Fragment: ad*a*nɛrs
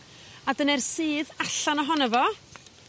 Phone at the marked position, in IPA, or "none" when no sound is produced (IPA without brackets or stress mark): ə